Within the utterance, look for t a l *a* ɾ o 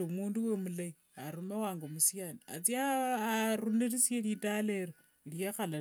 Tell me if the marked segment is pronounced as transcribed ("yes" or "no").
no